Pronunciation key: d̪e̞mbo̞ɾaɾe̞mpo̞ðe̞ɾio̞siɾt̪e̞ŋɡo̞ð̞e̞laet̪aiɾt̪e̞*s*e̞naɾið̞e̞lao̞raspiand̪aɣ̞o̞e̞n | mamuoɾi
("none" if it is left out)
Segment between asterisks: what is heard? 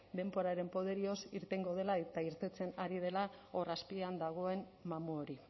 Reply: t͡s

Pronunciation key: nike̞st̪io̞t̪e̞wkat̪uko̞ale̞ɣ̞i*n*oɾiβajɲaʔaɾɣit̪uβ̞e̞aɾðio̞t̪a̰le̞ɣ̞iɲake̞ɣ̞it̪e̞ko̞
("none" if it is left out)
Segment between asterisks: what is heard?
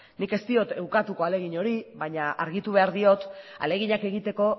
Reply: ɲ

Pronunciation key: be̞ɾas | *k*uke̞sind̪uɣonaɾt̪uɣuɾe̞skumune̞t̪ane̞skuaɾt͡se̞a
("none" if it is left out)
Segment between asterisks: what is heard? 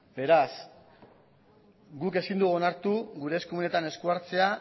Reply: ɡ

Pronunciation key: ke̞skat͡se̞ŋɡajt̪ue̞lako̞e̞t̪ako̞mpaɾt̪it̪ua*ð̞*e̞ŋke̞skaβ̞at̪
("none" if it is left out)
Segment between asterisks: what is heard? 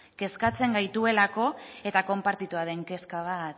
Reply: ð̞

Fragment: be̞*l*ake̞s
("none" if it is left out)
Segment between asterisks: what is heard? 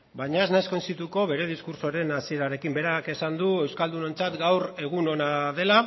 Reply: ɾ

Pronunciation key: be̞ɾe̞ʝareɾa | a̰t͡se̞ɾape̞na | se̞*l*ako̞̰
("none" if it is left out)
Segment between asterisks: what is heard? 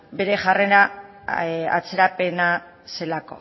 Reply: l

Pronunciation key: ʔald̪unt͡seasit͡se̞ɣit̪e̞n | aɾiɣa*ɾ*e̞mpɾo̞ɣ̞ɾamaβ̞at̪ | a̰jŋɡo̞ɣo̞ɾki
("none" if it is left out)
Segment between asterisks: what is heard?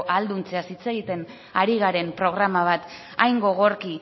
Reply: ɾ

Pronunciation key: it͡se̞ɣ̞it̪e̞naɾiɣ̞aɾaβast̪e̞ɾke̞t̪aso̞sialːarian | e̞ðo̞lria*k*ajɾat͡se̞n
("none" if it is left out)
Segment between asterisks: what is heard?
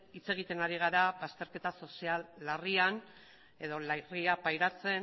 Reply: p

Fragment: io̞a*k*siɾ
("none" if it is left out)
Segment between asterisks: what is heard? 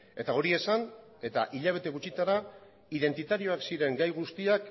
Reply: k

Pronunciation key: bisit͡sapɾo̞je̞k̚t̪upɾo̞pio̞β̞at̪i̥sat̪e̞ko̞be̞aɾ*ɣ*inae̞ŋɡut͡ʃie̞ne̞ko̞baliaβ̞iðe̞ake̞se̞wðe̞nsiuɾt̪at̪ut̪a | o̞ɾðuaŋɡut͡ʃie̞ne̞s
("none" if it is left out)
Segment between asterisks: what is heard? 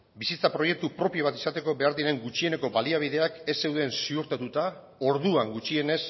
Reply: ð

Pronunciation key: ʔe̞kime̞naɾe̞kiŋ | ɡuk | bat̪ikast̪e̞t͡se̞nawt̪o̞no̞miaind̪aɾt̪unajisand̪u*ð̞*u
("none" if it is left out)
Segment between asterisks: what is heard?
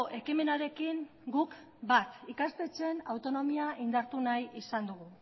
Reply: ɣ̞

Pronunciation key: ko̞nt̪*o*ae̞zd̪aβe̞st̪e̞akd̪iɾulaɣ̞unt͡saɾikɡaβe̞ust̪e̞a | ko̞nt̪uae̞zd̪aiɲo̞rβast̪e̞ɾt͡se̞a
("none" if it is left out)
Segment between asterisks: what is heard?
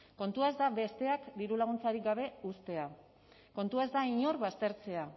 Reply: u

